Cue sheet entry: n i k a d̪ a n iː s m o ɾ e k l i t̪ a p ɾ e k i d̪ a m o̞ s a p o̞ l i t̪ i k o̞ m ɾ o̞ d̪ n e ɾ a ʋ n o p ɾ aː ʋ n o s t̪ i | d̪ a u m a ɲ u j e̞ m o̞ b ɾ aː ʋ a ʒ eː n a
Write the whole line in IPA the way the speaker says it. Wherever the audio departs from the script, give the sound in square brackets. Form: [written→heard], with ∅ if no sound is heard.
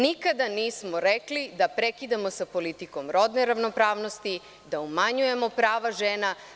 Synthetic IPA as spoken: n i k a d̪ a n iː s m o ɾ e k l i [t̪→d̪] a p ɾ e k i d̪ a m o̞ s a p o̞ l i t̪ i k o̞ m ɾ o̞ d̪ n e ɾ a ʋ n o p ɾ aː ʋ n o s t̪ i | d̪ a u m a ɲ u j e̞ m o̞ [b→p] ɾ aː ʋ a ʒ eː n a